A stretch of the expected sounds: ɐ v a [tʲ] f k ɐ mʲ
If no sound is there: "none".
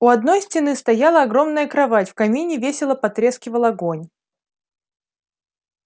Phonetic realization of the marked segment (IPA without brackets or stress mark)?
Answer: tʲ